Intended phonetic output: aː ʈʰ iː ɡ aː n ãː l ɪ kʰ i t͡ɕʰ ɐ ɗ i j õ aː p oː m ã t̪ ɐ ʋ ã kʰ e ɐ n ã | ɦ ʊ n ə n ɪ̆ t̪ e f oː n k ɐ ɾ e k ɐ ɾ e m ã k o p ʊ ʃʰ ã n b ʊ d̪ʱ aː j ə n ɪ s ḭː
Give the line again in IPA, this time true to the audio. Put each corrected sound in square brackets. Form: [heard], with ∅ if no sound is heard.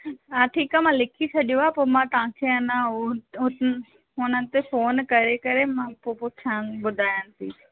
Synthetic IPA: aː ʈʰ iː [k] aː [m] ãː l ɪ kʰ i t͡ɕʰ ɐ ɗ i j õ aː p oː m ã t̪ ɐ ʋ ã kʰ e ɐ n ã | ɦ ʊ n ə n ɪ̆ t̪ e f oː n k ɐ ɾ e k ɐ ɾ e m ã [p] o p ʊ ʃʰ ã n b ʊ d̪ʱ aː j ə n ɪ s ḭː